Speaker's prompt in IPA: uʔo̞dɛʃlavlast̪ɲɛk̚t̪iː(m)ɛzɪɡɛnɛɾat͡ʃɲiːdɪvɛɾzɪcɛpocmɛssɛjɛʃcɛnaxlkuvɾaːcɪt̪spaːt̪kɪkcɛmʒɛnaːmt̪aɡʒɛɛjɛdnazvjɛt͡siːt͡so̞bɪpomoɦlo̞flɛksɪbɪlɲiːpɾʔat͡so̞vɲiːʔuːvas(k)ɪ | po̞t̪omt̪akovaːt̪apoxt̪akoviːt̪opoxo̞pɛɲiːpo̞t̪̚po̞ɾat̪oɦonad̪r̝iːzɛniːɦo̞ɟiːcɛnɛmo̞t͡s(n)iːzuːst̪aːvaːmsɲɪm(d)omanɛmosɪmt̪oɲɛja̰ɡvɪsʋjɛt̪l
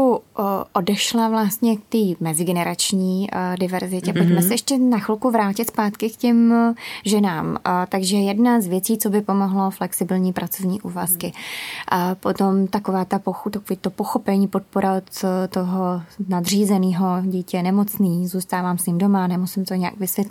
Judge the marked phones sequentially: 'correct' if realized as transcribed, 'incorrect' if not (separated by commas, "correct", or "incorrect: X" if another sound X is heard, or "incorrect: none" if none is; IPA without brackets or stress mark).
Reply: correct, correct, correct, correct